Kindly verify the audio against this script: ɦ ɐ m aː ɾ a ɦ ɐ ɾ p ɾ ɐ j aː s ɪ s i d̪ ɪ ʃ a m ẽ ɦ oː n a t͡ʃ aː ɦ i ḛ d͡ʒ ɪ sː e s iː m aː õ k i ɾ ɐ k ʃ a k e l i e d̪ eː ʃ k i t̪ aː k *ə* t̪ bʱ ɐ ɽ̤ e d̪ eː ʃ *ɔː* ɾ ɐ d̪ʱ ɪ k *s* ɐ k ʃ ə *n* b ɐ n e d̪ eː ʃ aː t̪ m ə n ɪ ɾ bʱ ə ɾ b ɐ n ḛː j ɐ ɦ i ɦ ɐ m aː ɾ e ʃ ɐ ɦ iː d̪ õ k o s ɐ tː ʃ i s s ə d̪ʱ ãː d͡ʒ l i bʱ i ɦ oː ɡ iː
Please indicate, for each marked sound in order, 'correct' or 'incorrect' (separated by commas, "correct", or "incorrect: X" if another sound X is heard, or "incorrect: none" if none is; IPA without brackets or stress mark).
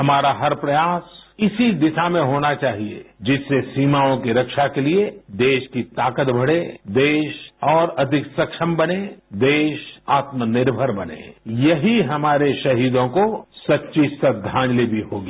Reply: correct, correct, correct, incorrect: m